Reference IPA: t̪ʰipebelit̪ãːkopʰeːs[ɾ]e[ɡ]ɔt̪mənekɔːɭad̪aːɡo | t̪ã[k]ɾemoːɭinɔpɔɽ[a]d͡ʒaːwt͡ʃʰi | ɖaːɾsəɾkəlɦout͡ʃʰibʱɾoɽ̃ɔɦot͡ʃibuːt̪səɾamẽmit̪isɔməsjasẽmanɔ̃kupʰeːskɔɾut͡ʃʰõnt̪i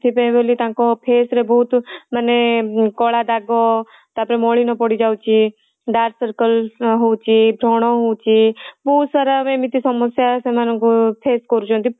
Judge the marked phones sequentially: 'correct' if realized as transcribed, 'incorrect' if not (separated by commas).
correct, incorrect, incorrect, incorrect